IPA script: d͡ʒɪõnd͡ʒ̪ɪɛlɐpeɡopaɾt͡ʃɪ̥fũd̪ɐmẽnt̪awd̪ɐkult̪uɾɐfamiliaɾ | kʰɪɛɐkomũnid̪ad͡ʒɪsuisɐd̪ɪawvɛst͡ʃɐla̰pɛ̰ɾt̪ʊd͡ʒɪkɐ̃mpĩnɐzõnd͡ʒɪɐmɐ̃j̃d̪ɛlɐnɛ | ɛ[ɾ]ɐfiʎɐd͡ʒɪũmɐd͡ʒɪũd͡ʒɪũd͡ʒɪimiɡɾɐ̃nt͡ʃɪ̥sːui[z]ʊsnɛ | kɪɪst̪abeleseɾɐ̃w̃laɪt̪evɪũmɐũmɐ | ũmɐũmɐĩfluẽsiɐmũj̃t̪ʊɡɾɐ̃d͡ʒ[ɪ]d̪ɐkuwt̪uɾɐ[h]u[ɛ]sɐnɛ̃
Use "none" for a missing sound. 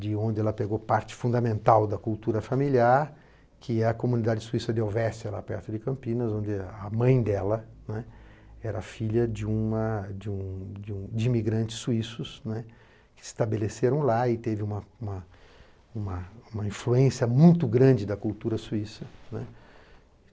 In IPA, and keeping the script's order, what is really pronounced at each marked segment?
ɾ, s, ɪ, s, i

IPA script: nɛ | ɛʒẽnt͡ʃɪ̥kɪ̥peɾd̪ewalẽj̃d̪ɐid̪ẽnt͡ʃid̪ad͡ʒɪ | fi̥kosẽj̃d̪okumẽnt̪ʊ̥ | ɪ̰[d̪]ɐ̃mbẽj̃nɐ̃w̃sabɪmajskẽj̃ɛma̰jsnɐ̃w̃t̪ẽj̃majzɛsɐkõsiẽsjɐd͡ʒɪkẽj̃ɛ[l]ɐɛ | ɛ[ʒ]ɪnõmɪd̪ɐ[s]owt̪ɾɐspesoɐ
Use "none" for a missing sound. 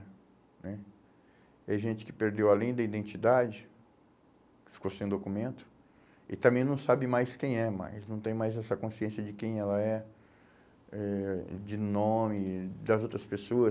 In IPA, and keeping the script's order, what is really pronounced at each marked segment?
t̪, l, d͡ʒ, z

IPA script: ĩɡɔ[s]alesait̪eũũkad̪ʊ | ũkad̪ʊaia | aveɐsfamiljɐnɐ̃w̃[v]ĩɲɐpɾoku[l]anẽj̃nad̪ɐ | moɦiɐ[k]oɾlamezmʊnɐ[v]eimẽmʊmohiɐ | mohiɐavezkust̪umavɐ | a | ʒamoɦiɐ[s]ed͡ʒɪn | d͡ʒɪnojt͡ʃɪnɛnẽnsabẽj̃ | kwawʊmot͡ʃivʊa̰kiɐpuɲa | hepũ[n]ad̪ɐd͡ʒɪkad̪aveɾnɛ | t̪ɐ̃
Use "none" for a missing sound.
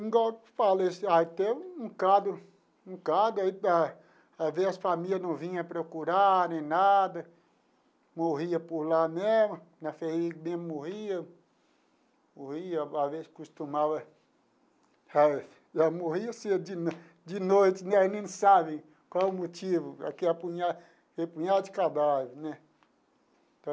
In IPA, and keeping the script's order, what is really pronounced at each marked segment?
f, v, ɾ, p, f, s, ɲ

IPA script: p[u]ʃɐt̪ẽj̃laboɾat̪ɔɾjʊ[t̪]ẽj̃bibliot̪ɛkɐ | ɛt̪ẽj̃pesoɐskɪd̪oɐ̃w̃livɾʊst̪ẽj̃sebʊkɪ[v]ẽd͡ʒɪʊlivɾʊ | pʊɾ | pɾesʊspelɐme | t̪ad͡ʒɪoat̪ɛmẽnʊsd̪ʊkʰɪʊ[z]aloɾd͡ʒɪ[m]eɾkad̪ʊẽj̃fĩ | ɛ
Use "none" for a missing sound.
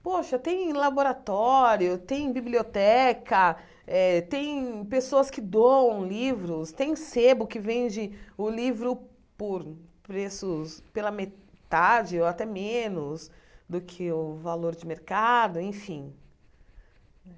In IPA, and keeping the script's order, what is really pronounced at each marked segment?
o, t̪, v, v, m

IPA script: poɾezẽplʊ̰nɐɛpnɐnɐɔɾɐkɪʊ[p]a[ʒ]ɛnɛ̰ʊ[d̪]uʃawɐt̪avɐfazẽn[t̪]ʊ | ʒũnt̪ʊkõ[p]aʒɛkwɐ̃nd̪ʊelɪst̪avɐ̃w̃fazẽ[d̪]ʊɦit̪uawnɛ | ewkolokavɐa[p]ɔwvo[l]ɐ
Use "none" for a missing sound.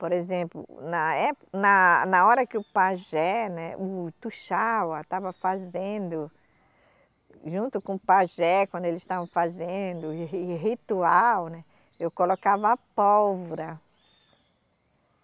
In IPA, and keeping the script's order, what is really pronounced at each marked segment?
p, ʒ, t̪, d̪, p, d̪, p, ɾ

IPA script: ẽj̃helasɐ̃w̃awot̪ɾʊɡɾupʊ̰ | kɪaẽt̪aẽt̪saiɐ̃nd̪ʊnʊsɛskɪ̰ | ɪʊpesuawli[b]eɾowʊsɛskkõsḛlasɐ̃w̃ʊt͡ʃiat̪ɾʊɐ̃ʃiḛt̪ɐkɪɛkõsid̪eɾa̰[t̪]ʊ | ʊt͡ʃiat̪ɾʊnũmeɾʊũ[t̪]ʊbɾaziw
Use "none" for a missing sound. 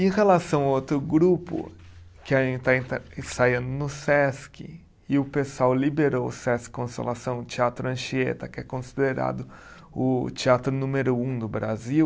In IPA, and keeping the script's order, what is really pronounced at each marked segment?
b, d̪, d̪

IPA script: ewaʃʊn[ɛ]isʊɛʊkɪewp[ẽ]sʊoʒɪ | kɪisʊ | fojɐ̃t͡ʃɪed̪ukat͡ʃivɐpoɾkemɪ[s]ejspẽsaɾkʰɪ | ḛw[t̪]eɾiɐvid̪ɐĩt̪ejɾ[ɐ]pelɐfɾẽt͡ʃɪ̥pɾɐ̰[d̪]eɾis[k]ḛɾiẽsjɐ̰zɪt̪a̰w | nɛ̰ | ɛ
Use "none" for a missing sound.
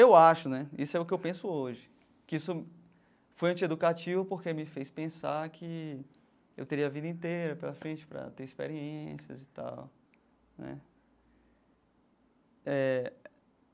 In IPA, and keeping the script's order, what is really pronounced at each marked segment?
ɛ, ẽ, f, t̪, ɐ, t̪, p

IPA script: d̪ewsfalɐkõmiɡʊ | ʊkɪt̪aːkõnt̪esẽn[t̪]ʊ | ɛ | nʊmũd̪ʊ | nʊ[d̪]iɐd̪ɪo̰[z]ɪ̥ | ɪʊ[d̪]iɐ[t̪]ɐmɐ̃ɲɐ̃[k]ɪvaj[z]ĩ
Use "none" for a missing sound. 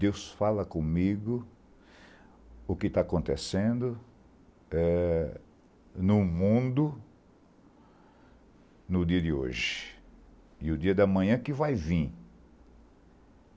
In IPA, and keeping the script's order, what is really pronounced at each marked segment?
d̪, d̪, ʒ, d̪, d̪, k, v

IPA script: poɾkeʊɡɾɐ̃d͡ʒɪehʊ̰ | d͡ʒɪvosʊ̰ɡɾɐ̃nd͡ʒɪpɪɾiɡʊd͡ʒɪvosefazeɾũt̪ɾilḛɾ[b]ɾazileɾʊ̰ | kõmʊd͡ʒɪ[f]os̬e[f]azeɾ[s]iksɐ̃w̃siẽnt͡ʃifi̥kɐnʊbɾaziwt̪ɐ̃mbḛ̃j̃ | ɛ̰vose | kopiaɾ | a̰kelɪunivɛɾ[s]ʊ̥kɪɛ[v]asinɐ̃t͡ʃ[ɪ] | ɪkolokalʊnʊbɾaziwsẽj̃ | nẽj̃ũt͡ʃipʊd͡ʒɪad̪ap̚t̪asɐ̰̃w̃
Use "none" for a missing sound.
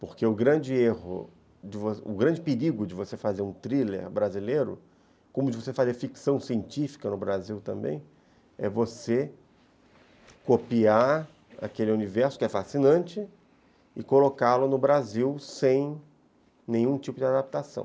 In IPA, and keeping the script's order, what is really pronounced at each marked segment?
b, v, f, f, s, f, ɪ

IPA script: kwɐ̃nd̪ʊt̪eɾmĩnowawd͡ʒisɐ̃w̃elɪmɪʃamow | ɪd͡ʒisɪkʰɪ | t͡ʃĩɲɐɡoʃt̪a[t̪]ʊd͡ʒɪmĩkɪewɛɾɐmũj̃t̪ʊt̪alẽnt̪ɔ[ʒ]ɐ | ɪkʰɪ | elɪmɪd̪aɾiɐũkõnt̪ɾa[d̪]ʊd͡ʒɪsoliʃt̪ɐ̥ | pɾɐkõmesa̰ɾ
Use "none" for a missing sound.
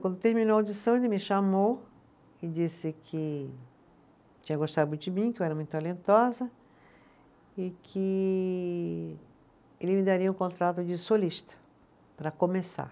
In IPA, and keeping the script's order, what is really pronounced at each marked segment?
d̪, z, t̪

